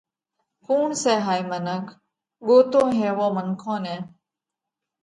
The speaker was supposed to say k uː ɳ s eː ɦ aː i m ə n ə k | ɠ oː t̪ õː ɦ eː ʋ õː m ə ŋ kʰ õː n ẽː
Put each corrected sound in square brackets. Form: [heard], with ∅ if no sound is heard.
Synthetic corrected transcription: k uː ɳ s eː ɦ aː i m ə n ə k | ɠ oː t̪ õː ɦ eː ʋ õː m ə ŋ kʰ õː n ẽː